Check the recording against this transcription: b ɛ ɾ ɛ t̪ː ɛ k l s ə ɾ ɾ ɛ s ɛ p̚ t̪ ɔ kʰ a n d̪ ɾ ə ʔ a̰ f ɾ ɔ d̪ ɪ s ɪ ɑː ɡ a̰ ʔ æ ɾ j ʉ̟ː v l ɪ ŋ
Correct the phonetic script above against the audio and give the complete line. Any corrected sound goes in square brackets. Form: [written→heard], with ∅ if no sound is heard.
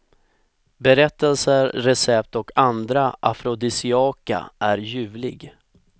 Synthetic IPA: b ɛ ɾ ɛ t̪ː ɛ [k→∅] l s ə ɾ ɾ ɛ s ɛ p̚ t̪ ɔ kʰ a n d̪ ɾ [ə→a] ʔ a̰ f ɾ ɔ d̪ ɪ s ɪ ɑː [ɡ→k] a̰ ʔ æ ɾ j ʉ̟ː v l ɪ [ŋ→ɡ]